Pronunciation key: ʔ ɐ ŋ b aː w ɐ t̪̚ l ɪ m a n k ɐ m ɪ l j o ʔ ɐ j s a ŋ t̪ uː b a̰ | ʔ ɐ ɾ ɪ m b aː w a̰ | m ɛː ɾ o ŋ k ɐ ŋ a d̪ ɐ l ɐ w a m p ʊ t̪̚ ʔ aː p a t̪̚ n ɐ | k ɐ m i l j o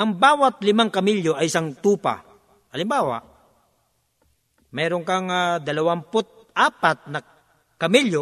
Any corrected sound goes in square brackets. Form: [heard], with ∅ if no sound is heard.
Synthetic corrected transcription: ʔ ɐ ŋ b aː w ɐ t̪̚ l ɪ m a [ŋ] k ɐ m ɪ l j o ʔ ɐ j s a ŋ t̪ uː [p] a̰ | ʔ ɐ [l] ɪ m b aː w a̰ | m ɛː ɾ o ŋ k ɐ ŋ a d̪ ɐ l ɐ w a m p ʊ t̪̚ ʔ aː p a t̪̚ n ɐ | k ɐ m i l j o